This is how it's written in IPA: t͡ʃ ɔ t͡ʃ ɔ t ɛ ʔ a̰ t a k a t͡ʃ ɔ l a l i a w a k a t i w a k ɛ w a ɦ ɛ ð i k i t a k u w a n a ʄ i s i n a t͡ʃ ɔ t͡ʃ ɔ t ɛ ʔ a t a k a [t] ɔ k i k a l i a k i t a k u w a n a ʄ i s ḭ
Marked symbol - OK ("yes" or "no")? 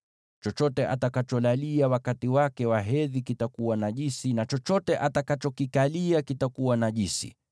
no